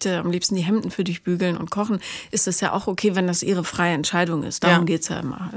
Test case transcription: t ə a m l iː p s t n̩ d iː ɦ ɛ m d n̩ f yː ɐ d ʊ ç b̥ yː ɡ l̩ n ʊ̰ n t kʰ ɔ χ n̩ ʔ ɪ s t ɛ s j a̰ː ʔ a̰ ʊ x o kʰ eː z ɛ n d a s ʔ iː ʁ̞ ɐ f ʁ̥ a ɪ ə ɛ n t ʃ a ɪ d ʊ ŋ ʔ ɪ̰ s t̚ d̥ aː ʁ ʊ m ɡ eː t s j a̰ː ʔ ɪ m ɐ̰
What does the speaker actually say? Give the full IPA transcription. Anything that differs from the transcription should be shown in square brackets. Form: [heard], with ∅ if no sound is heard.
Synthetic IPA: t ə a m l iː p s t n̩ d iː ɦ ɛ m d n̩ f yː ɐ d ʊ ç b̥ yː ɡ l̩ n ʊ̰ n t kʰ ɔ χ n̩ ʔ ɪ s t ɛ s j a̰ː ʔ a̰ ʊ x o kʰ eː [v] ɛ n d a s ʔ iː ʁ̞ [ə] f ʁ̥ a ɪ ə ɛ n t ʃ a ɪ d ʊ ŋ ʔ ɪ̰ s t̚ d̥ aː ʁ ʊ m ɡ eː t s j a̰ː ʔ ɪ m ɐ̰